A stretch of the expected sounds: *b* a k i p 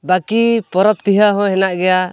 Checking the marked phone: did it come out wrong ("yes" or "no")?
no